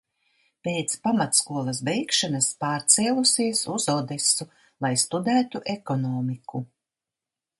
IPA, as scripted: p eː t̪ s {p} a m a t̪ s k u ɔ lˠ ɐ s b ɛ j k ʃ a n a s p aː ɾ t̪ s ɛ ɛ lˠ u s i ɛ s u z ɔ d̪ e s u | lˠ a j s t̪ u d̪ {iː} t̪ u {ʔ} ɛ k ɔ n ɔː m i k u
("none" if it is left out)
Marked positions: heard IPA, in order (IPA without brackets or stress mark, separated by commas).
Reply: p, æː, ʔ